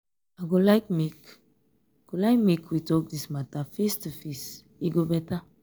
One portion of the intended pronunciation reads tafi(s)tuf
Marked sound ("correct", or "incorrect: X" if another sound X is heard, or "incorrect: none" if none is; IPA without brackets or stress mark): correct